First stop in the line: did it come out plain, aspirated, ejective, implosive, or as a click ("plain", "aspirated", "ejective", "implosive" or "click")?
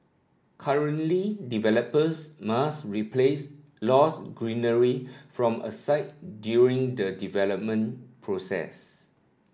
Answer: aspirated